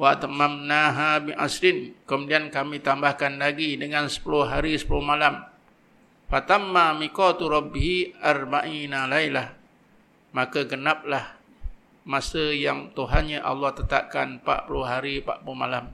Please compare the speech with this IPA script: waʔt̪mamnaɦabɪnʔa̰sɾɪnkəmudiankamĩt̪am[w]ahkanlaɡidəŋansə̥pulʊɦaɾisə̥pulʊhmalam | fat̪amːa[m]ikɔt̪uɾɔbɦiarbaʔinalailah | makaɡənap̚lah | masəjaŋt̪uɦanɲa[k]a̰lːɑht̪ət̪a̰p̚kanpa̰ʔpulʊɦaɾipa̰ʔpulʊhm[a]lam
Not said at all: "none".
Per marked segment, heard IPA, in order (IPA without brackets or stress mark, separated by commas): b, m, ʔ, a